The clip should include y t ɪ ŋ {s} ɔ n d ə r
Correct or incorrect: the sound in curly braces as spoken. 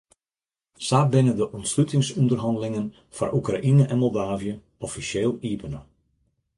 correct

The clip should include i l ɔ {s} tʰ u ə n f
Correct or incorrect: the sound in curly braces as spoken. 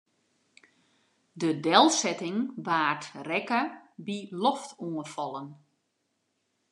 incorrect: f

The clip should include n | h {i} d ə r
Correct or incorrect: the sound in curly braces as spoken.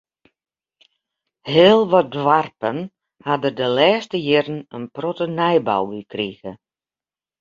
incorrect: a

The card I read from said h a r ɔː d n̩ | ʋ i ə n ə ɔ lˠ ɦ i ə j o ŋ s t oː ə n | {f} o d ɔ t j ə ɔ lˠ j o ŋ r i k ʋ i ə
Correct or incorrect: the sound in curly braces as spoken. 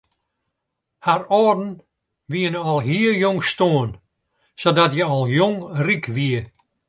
incorrect: s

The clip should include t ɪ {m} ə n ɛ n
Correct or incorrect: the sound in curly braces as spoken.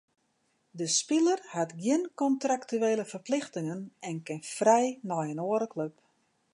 incorrect: ŋ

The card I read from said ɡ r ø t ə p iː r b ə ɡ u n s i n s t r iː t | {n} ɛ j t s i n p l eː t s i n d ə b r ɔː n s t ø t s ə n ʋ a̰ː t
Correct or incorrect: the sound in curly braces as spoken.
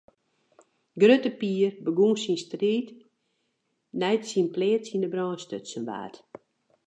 correct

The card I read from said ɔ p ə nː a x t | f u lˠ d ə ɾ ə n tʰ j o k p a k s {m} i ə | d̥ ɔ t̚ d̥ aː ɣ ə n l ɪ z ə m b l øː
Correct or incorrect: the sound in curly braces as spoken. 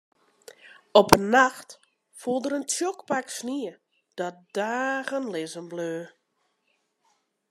incorrect: n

